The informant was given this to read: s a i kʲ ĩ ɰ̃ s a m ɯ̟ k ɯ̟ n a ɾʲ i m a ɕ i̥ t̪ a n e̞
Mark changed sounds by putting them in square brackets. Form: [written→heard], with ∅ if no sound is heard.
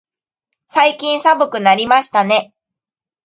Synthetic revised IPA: s a i kʲ ĩ ɰ̃ s a [m→b] ɯ̟ k ɯ̟ n a ɾʲ i m a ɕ i̥ t̪ a n e̞

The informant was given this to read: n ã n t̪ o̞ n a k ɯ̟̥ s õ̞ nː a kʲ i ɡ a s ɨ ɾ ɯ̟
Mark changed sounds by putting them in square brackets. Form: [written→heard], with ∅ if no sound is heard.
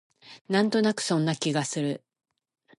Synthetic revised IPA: n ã n t̪ o̞ n a k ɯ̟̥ s õ̞ nː a kʲ i ɡ a s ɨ ɾ ɯ̟

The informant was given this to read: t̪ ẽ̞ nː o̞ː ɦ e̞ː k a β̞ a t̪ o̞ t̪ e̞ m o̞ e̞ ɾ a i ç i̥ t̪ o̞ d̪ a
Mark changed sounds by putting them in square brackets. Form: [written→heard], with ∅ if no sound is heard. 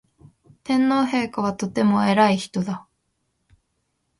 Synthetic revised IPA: t̪ ẽ̞ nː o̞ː ɦ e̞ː k a β̞ a t̪ o̞ t̪ e̞ m o̞ e̞ ɾ a i ç i̥ t̪ o̞ d̪ a

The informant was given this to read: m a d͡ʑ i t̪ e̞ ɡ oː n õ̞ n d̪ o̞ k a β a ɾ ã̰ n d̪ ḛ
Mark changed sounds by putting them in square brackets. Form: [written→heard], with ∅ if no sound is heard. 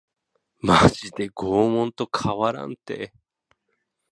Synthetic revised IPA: m a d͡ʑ i [t̪→d̪] e̞ ɡ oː [n→m] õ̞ n [d̪→t̪] o̞ [k→kʰ] a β a ɾ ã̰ n [d̪→t̪] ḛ

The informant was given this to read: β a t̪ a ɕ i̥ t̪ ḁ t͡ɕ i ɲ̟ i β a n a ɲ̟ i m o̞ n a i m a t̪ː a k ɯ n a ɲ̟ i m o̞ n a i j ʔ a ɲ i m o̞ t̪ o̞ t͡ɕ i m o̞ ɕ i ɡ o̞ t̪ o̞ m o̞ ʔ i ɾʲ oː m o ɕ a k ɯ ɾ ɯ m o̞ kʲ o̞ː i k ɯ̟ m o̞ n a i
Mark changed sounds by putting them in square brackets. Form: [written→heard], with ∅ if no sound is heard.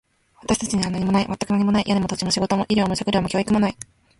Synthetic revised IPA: β a t̪ a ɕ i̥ t̪ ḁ t͡ɕ i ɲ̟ i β a n a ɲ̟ i m o̞ n a i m a t̪ː a k ɯ n a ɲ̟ i m o̞ n a i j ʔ a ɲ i m o̞ t̪ o̞ t͡ɕ i m o̞ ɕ i ɡ o̞ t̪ o̞ m o̞ ʔ i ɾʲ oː m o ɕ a k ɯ ɾ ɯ m o̞ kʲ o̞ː i k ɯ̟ m o̞ n a i

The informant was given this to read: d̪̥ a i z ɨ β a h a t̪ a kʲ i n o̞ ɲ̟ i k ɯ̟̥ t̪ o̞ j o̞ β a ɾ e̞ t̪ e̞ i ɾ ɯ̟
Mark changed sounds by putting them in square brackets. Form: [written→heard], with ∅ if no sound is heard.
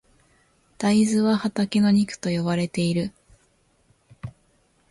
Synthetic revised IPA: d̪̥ a i z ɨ β a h a t̪ a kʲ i n o̞ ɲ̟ i k ɯ̟̥ t̪ o̞ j o̞ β a ɾ e̞ t̪ e̞ i ɾ ɯ̟

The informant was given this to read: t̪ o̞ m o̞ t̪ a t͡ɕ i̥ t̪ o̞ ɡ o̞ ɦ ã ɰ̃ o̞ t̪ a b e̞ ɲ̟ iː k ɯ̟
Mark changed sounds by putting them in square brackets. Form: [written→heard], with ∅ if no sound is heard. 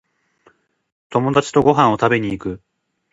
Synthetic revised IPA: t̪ o̞ m o̞ [t̪→d̪] a t͡ɕ i̥ t̪ o̞ ɡ o̞ ɦ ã ɰ̃ o̞ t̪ a b e̞ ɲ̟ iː k ɯ̟

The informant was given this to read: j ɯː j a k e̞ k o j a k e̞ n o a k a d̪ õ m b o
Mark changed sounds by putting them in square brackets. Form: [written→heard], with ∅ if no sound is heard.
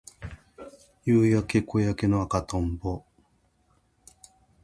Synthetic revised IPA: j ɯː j a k e̞ k o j a k e̞ n o a k a [d̪→t̪] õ m b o

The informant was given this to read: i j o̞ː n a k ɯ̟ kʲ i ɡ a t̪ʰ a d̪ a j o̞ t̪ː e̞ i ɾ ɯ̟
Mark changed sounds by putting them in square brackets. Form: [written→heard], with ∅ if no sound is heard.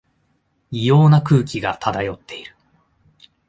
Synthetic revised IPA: i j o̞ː n a k [ɯ̟→ɯ̟ː] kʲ i ɡ a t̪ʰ a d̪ a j o̞ t̪ː e̞ i ɾ ɯ̟

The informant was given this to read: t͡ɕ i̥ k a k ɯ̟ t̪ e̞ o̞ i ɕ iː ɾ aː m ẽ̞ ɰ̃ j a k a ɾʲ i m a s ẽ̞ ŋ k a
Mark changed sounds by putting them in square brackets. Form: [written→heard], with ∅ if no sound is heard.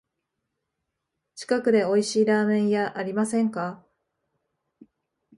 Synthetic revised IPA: t͡ɕ i̥ k a k ɯ̟ [t̪→d̪] e̞ o̞ i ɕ iː ɾ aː m ẽ̞ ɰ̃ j a [k→ʔ] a ɾʲ i m a s ẽ̞ ŋ k a

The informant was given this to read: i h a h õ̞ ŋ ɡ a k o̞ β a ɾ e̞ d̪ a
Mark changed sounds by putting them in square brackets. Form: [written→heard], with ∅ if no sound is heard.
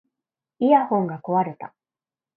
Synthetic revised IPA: i [h→∅] a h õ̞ ŋ ɡ a k o̞ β a ɾ e̞ [d̪→t̪] a

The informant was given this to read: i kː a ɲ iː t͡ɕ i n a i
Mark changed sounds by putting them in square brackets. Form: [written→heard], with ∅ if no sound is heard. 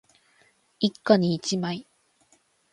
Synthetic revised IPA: i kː a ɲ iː t͡ɕ i [n→m] a i

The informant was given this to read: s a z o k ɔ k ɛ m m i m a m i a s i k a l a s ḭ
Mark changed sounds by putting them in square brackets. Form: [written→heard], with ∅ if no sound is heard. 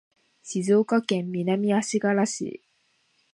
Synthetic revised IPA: s [a→i] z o k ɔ k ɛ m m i [m→n] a m i a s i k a l a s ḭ

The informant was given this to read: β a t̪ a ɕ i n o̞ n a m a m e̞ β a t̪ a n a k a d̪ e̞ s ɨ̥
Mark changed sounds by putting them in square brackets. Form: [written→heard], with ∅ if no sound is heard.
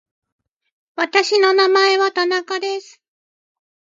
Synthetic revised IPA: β a t̪ a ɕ i n o̞ n a m a [m→∅] e̞ β a t̪ a n a k a d̪ e̞ s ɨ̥

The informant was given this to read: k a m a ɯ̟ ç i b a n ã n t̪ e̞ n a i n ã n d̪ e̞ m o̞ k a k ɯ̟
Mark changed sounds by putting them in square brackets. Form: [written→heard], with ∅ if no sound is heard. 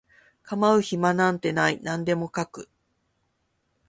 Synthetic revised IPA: k a m a ɯ̟ ç i [b→m] a n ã n t̪ e̞ n a i n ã n d̪ e̞ m o̞ k a k ɯ̟

